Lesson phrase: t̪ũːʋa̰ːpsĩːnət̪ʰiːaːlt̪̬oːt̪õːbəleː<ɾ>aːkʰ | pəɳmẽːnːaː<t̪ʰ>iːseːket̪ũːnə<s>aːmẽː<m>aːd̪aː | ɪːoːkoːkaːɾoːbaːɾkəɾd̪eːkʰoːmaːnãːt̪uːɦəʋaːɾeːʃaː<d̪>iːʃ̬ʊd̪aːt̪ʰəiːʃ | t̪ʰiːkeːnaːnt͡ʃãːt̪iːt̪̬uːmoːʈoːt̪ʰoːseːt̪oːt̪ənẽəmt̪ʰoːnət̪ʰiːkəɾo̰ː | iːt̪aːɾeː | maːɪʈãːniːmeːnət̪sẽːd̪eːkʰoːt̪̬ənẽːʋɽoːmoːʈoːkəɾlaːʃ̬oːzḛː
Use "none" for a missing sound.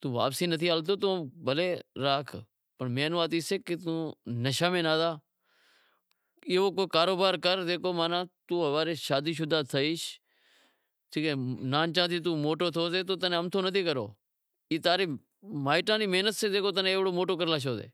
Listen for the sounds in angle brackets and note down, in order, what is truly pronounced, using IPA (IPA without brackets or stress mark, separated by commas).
ɾ, t̪, ʃ, n, d̪